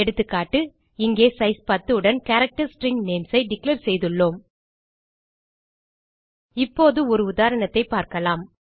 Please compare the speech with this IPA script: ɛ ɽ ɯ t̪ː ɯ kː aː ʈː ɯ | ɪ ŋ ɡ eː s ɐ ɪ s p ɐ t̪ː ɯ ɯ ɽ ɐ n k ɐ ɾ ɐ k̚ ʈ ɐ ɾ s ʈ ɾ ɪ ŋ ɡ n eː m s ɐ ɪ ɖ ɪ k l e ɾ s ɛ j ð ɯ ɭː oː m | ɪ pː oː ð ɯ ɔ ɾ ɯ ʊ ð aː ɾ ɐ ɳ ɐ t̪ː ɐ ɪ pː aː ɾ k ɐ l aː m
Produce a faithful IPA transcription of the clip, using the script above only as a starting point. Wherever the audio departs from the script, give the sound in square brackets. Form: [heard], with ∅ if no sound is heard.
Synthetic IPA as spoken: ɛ ɽ ɯ t̪ː ɯ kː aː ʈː ɯ | ɪ ŋ ɡ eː s ɐ ɪ s p ɐ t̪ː ɯ ɯ ɽ ɐ n k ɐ ɾ ɐ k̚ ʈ ɐ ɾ s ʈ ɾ ɪ ŋ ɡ n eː m s ɐ ɪ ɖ ɪ k l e ɾ s ɛ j ð ɯ ɭː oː m | ɪ pː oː ð ɯ ɔ ɾ ɯ ʊ ð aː ɾ ɐ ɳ ɐ t̪ː ɐ ɪ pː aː ɾ k ɐ l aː m